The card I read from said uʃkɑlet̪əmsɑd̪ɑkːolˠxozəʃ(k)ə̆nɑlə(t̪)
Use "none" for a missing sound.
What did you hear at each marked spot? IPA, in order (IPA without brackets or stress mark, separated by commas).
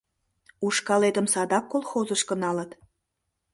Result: k, t̪